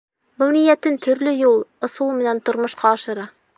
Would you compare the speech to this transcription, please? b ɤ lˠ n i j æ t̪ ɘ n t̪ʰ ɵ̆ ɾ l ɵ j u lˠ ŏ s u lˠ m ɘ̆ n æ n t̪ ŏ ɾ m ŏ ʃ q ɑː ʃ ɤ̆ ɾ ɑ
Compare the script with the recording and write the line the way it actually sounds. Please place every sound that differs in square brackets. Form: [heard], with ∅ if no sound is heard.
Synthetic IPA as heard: b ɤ lˠ n i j æ t̪ ɘ n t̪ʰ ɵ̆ ɾ l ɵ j u lˠ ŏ s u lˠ m ɘ̆ n æ n t̪ ŏ ɾ m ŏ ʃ q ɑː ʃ ɤ̆ ɾ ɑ